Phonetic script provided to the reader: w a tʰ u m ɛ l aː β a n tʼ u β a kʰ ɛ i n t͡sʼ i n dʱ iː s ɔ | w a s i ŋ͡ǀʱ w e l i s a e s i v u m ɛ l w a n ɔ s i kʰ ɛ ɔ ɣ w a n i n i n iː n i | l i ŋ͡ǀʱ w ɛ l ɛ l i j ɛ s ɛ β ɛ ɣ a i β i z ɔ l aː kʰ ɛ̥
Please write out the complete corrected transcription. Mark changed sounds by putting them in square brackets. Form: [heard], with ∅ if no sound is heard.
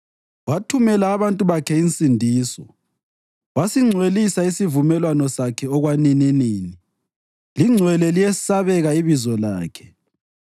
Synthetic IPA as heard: w a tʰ u m ɛ l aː β a n tʼ u β a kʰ ɛ i n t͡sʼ i n dʱ iː s ɔ | w a s i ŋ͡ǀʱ w e l i s a [i] s i v u m ɛ l w a n ɔ s [a] kʰ ɛ ɔ ɣ w a n i n i n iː n i | l i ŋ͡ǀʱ w ɛ l ɛ l i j ɛ s [a] β ɛ ɣ a i β i z ɔ l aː kʰ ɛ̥